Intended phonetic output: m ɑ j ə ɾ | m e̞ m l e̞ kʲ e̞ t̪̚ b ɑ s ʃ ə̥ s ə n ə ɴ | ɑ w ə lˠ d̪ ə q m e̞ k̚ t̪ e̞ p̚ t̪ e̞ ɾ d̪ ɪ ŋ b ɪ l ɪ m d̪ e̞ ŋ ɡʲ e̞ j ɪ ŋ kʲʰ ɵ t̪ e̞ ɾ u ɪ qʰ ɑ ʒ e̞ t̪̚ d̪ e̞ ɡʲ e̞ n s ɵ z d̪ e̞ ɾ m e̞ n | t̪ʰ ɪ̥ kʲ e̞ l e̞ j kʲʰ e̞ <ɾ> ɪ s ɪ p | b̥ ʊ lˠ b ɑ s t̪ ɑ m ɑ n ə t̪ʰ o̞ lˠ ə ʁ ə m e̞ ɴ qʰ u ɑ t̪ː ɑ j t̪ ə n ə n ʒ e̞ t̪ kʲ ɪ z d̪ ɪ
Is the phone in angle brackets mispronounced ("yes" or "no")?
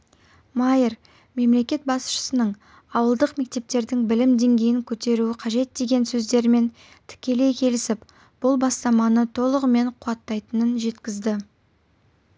yes